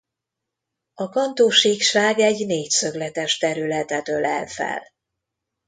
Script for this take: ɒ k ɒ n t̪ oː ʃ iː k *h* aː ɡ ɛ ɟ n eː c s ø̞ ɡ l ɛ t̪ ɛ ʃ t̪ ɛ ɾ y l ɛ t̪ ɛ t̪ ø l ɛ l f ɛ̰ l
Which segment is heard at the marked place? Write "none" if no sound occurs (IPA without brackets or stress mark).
ʃ